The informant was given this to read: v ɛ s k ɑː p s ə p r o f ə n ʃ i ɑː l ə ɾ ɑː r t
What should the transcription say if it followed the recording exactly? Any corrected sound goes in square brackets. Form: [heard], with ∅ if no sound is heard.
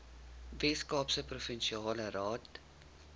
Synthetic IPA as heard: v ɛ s k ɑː p s ə p r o f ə n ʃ i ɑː l ə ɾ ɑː [∅] t